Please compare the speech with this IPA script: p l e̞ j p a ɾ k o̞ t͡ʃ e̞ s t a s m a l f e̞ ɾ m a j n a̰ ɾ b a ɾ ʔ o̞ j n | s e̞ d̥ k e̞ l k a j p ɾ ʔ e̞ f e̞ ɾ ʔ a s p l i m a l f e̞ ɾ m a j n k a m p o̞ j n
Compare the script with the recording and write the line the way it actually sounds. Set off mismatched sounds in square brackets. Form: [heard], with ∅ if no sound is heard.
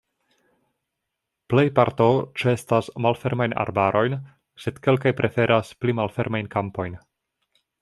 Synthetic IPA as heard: p l e̞ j p a ɾ [t] o̞ t͡ʃ e̞ s t a s m a l f e̞ ɾ m a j n a̰ ɾ b a ɾ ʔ o̞ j n | s e̞ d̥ k e̞ l k a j p ɾ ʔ e̞ f e̞ ɾ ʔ a s p l i m a l f e̞ ɾ m a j n k a m p o̞ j n